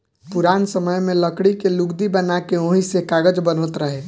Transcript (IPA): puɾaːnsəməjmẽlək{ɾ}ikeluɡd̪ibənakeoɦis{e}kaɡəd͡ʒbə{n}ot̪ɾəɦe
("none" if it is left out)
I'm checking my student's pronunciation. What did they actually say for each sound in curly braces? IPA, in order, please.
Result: ɽ, e, n

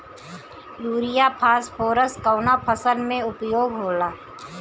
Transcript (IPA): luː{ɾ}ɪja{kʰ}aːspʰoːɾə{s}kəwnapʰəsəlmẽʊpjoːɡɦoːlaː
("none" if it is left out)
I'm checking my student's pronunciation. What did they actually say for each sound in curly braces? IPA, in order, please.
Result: ɾ, pʰ, s

